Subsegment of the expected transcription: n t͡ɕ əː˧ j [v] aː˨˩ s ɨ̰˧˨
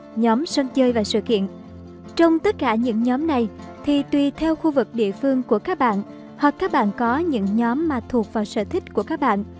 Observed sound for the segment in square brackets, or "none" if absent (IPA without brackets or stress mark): v